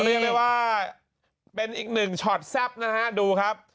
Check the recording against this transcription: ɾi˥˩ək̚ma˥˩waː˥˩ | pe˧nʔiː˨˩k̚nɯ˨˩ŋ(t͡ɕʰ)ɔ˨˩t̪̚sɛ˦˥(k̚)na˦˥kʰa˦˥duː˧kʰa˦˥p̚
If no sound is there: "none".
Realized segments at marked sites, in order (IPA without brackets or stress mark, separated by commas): t͡ɕʰ, p̚